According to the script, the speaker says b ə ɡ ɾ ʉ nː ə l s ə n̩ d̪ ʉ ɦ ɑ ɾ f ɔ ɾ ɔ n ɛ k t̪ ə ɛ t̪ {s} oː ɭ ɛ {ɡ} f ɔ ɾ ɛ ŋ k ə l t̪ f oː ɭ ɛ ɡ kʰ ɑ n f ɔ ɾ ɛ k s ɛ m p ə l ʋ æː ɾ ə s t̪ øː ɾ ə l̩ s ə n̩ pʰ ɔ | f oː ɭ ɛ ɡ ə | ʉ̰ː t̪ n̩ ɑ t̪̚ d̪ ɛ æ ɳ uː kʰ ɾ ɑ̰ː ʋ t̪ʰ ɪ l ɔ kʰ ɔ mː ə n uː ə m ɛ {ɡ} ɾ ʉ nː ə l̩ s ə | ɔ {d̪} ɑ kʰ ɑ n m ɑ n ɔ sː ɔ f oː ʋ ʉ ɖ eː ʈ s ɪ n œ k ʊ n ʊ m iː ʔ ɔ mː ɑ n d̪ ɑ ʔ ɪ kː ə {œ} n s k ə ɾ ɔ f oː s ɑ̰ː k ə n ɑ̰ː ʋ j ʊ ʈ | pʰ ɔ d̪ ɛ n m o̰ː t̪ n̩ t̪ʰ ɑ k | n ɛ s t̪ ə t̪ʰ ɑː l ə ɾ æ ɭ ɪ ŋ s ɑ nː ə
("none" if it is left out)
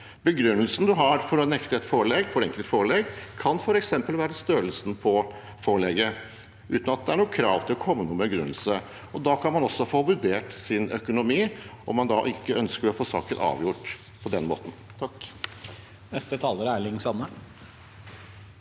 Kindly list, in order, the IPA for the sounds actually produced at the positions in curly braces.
f, ɡ, ɡ, d̪, œ

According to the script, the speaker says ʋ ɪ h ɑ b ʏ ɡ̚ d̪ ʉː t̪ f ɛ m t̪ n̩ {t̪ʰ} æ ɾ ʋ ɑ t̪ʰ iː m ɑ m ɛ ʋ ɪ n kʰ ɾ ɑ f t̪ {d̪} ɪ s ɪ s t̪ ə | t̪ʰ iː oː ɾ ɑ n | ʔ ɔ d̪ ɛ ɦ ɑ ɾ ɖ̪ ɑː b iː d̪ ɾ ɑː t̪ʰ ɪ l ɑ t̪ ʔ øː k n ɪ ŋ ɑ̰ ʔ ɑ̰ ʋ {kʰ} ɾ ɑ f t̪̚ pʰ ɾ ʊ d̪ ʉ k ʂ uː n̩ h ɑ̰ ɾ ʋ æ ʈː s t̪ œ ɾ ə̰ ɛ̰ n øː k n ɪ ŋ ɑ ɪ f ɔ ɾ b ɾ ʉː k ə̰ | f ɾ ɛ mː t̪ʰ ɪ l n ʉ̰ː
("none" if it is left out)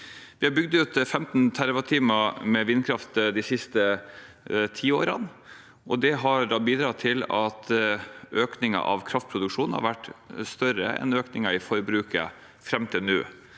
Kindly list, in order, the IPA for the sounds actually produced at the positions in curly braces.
t̪ʰ, d̪, kʰ

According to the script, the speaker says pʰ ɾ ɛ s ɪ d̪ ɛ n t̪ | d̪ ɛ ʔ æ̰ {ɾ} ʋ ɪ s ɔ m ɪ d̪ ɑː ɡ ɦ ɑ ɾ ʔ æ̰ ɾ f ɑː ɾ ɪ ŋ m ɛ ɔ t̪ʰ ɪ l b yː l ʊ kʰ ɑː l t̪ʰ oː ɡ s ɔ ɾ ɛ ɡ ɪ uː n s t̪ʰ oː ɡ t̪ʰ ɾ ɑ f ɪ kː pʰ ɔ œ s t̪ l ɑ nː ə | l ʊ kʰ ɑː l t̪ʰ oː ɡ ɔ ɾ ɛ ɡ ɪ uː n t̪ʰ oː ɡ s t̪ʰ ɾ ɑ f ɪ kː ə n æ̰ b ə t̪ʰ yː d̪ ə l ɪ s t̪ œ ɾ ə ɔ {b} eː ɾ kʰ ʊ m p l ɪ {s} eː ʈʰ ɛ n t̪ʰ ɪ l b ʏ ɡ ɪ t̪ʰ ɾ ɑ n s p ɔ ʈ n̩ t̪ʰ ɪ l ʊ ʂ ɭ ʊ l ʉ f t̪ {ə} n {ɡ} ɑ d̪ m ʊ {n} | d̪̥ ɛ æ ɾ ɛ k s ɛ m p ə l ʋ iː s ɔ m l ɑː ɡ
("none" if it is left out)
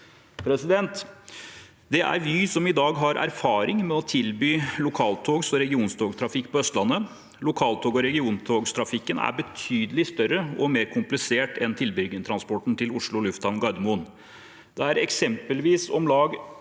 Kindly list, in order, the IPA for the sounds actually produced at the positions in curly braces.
ɾ, m, s, ɑ, ɡ, n

